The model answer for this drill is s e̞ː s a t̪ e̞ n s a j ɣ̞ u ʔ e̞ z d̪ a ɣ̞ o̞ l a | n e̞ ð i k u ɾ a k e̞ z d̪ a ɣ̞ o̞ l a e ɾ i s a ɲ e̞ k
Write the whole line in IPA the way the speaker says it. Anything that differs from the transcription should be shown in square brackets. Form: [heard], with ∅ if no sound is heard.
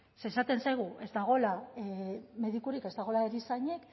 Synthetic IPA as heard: s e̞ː s a t̪ e̞ n s a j ɣ̞ u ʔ e̞ z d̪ a ɣ̞ o̞ l a | [m] e̞ ð i k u ɾ [i] k e̞ z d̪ a ɣ̞ o̞ l a e ɾ i s a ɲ e̞ k